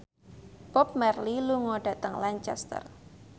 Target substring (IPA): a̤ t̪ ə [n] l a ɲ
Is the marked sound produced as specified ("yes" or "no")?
no